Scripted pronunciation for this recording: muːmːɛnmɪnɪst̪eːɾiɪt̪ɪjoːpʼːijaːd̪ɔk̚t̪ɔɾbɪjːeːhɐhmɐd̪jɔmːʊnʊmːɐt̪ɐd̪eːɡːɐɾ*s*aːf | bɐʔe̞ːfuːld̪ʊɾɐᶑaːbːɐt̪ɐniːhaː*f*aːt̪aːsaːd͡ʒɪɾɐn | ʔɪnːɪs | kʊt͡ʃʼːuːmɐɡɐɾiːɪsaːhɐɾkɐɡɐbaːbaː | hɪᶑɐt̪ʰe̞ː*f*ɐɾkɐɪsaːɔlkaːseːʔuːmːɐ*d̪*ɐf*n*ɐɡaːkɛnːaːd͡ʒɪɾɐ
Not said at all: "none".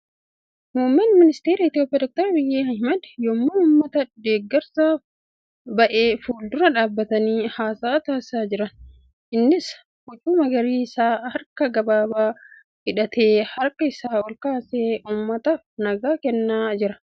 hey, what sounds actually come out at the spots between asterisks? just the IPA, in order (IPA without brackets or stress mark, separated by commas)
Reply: s, s, h, t̪, n